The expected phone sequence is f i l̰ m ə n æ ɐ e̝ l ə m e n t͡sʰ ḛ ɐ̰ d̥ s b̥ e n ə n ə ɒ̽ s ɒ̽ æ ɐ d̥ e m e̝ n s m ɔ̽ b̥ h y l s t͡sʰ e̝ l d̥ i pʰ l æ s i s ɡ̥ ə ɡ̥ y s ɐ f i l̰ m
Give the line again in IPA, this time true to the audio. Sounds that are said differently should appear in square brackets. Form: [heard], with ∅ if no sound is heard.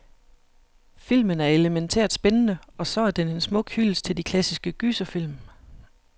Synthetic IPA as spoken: f i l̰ m ə n æ ɐ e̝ l ə m e n t͡sʰ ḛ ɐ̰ d̥ s b̥ e n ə n ə ɒ̽ s ɒ̽ æ ɐ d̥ e [n] e̝ n s m ɔ̽ [ɡ̥] h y l s t͡sʰ e̝ l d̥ i [kʰ] l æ s i s ɡ̥ ə ɡ̥ y s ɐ f i l̰ m